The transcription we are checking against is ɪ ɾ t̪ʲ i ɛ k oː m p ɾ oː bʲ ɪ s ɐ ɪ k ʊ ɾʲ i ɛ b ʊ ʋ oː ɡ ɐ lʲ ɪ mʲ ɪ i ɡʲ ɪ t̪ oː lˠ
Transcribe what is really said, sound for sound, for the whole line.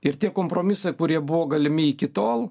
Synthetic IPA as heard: ɪ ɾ t̪ʲ i ɛ k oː m p ɾ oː mʲ ɪ s ɐ ɪ k ʊ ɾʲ i ɛ b ʊ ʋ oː ɡ ɐ lʲ ɪ mʲ ɪ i kʲ ɪ t̪ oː lˠ